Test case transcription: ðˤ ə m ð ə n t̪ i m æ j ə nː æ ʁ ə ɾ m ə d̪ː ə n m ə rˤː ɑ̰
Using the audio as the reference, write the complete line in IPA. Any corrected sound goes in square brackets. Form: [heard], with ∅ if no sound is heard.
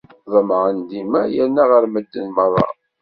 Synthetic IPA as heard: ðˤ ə m [ʕ] ə n [d̪] i m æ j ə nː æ ʁ ə ɾ m ə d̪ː ə n m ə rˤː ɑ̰